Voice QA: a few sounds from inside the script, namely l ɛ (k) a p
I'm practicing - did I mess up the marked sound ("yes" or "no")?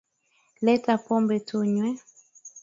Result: yes